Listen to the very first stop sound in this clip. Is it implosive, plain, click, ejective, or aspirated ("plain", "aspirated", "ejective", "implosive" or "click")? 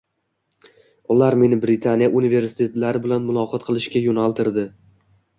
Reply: plain